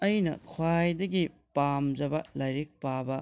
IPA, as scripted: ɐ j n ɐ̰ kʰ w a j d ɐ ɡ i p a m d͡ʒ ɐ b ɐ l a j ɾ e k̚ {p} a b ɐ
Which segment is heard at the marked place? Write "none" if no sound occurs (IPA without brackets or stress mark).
p